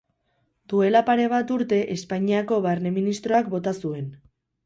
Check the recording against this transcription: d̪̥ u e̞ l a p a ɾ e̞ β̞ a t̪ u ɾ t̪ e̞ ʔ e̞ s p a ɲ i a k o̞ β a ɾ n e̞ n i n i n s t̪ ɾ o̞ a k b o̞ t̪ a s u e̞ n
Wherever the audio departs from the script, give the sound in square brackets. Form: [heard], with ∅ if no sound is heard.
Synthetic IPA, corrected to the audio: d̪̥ u e̞ l a p a ɾ e̞ β̞ a t̪ u ɾ t̪ e̞ ʔ e̞ s p a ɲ i a k o̞ β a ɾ n e̞ [m] i n i [∅] s t̪ ɾ o̞ a k b o̞ t̪ a s u e̞ n